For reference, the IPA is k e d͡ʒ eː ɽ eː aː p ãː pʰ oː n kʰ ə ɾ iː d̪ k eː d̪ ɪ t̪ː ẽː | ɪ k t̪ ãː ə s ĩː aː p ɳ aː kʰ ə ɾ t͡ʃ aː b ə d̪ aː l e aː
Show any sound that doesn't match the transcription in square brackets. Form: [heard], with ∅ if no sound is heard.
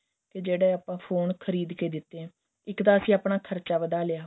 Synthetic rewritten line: k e d͡ʒ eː ɽ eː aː p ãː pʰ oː n kʰ ə ɾ iː d̪ k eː d̪ ɪ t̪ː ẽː | ɪ k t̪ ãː ə s ĩː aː p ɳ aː kʰ ə ɾ t͡ʃ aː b ə d̪ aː l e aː